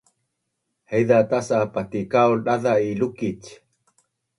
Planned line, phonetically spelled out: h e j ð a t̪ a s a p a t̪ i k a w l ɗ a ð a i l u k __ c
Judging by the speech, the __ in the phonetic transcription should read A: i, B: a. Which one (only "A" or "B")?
A